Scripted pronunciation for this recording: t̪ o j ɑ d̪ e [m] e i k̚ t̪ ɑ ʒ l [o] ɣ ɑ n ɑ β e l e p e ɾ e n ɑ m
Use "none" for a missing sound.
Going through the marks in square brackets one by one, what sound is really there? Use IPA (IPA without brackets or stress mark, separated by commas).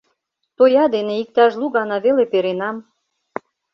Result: n, u